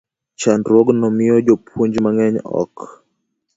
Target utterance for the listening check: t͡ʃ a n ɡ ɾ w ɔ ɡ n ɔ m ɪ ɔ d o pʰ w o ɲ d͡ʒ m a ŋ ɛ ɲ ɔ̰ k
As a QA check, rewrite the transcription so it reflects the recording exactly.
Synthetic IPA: t͡ʃ a n d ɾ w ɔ ɡ n ɔ m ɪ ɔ d͡ʒ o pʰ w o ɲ d͡ʒ m a ŋ ɛ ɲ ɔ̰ k

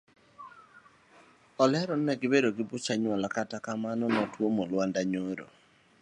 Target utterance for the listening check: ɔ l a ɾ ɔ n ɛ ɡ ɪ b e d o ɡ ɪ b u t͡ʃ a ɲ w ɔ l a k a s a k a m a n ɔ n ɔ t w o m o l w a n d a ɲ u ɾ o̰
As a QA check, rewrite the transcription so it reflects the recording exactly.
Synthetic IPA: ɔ l ɛ ɾ ɔ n ɛ ɡ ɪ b e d o ɡ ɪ b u t͡ʃ a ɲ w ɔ l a k a t a k a m a n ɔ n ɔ t w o m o l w a n d a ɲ o ɾ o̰

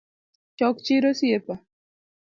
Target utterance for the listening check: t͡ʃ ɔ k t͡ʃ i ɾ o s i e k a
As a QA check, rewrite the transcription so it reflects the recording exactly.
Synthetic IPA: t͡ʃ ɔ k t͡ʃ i ɾ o s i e p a

